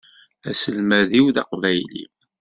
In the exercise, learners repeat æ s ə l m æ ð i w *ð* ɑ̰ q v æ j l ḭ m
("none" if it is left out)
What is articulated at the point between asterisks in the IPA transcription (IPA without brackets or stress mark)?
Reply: ð